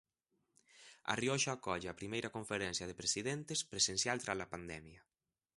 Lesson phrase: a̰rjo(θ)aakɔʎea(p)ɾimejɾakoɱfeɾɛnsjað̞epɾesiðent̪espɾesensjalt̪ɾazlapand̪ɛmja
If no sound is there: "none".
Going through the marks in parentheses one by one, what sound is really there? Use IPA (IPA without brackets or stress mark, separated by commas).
ʃ, p